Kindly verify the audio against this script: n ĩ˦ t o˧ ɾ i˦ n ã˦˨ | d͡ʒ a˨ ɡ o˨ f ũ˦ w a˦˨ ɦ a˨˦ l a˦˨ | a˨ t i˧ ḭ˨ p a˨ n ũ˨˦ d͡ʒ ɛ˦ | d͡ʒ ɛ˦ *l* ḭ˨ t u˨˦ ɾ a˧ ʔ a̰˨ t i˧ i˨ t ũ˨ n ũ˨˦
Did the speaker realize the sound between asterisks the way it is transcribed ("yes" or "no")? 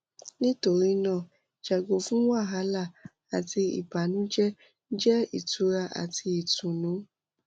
no